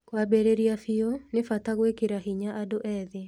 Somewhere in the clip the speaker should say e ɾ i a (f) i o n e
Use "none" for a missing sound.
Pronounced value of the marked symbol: f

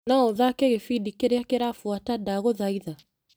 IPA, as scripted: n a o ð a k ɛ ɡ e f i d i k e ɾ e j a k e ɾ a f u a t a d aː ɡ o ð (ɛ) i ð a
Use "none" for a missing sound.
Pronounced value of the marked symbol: a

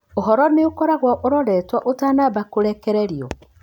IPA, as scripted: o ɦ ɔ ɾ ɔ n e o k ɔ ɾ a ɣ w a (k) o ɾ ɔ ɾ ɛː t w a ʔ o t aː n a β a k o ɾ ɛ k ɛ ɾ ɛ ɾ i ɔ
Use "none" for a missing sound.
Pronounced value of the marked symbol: ʔ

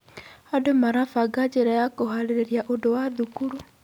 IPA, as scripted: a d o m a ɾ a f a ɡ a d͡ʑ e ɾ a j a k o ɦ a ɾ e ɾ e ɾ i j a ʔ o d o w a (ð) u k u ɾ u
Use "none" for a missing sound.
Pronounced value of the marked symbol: ð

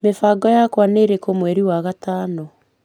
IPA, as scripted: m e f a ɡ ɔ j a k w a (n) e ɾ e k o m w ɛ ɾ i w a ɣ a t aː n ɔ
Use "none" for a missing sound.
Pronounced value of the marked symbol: n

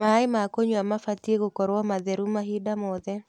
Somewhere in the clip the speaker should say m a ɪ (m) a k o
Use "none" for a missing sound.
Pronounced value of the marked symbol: m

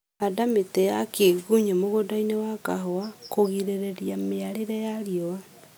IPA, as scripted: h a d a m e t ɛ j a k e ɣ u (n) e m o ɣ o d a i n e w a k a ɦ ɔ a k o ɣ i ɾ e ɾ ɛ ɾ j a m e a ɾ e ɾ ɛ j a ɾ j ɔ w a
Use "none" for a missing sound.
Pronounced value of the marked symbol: ɲ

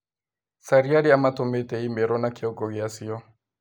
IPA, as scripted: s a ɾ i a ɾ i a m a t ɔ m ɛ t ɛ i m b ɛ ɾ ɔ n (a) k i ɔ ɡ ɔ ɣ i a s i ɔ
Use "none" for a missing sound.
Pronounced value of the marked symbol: a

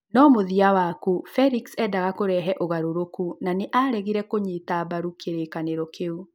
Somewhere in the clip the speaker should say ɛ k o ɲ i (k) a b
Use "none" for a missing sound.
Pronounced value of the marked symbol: t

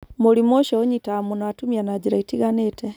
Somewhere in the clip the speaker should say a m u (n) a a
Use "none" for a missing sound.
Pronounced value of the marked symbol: n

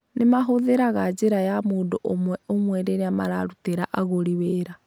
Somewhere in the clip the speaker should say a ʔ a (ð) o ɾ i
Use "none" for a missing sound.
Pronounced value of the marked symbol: ɣ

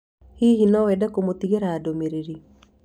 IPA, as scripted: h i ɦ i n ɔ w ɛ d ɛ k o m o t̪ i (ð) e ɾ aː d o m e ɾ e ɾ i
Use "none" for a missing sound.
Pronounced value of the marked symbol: ɣ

